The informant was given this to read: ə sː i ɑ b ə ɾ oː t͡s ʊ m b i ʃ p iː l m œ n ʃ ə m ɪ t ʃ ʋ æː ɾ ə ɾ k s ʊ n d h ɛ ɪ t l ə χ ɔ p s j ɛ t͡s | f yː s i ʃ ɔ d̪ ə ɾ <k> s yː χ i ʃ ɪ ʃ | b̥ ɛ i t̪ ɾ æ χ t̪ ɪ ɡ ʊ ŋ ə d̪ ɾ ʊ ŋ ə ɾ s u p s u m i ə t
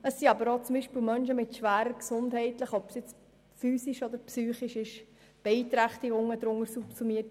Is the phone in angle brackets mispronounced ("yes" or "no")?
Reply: yes